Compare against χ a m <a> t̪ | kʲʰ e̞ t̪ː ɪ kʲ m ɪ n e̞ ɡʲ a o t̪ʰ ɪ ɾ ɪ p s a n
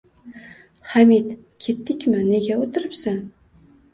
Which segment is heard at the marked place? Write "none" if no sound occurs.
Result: i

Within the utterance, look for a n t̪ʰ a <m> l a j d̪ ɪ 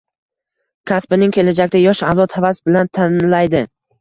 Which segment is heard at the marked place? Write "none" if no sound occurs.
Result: n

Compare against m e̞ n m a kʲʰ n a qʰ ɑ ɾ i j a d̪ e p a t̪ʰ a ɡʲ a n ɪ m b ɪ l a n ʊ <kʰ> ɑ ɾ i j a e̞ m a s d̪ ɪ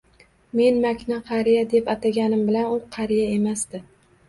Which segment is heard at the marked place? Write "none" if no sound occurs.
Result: qʰ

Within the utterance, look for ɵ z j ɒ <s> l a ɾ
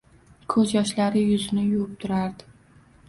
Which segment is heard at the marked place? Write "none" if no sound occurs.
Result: ʃ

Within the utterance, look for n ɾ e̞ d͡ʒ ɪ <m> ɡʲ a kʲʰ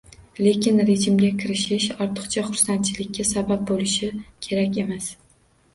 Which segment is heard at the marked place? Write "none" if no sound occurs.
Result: m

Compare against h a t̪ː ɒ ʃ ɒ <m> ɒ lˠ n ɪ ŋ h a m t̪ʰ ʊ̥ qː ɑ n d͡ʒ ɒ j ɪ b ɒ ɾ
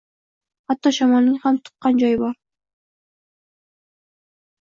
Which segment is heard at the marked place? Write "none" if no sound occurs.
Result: m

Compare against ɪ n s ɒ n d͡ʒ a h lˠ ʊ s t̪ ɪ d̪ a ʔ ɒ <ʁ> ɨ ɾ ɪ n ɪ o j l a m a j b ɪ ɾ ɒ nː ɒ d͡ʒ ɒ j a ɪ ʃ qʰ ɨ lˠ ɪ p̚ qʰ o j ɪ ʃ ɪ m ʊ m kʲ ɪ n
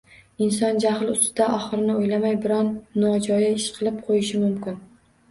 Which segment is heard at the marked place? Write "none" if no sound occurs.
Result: χ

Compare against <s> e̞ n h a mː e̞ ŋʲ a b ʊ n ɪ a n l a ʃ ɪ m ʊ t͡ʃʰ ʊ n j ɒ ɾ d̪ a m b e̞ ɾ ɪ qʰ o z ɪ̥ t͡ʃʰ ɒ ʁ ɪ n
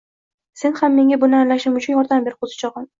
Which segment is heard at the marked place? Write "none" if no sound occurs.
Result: s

